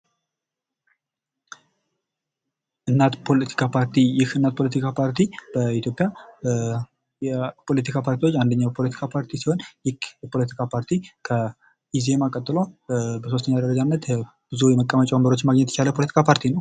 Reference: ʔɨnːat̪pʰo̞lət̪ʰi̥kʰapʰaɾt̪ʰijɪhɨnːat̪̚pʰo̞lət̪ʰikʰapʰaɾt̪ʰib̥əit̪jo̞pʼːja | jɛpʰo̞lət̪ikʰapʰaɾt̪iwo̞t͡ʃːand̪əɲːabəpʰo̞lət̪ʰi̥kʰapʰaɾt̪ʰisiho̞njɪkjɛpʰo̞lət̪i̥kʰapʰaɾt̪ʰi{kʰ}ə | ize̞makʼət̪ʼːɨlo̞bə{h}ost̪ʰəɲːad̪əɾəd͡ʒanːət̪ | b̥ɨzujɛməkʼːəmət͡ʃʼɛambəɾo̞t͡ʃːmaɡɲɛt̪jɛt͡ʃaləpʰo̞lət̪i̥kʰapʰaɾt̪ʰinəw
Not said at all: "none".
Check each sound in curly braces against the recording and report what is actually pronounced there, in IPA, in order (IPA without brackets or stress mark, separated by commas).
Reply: kʰ, s